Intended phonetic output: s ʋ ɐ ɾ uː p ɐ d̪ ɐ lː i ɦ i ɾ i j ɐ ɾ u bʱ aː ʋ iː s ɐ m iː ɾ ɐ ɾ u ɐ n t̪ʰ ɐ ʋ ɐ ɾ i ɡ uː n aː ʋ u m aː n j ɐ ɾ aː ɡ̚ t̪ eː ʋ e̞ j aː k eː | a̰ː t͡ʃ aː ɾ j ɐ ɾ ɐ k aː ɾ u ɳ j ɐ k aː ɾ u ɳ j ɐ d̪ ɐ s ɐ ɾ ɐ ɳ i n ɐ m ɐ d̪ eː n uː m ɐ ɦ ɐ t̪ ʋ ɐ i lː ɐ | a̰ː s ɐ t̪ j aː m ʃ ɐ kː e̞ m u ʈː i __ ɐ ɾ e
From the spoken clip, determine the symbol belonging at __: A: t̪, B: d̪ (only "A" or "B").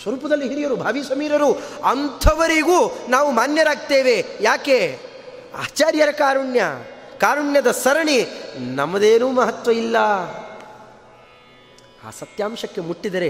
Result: B